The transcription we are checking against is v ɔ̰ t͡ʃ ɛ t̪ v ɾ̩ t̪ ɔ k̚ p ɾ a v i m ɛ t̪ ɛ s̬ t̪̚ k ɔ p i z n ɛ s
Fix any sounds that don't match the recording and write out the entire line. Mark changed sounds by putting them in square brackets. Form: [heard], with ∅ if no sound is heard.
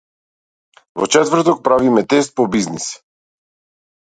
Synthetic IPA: v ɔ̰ t͡ʃ ɛ t̪ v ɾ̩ t̪ ɔ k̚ p ɾ a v i m ɛ t̪ ɛ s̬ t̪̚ [p] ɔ [b] i z n [i] s